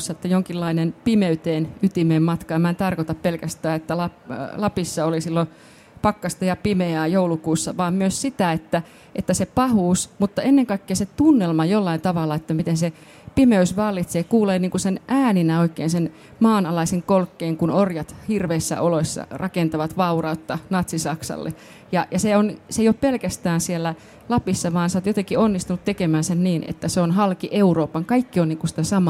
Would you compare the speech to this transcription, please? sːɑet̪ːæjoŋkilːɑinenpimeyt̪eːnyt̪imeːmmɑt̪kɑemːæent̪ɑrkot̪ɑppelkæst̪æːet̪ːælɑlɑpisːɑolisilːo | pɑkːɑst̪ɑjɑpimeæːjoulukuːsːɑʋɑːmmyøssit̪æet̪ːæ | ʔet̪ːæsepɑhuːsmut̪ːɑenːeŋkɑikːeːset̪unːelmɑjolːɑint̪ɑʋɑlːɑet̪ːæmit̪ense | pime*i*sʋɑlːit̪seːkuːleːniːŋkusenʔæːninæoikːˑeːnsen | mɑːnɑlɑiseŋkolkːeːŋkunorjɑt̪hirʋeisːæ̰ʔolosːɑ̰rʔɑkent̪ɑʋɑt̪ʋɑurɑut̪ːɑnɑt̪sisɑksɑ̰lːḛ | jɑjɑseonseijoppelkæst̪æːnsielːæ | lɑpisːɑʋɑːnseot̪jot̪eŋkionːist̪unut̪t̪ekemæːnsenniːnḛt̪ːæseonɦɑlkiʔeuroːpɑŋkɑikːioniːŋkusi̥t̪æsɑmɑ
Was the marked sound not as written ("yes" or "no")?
yes